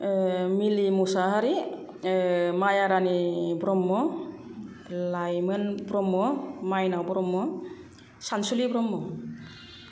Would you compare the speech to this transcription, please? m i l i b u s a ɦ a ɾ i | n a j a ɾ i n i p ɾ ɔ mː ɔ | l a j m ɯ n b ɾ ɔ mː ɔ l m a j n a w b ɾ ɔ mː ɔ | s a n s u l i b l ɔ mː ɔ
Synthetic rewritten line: m i l i m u s a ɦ a ɾ i | m a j a ɾ a n i b ɾ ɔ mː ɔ | l a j m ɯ n b ɾ ɔ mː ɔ m a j n a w b ɾ ɔ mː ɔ | s a n s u l i b ɾ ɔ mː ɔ